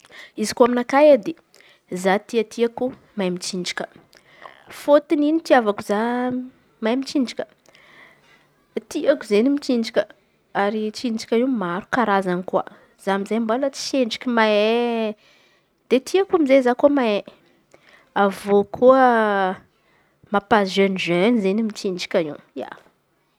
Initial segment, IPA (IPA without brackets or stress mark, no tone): i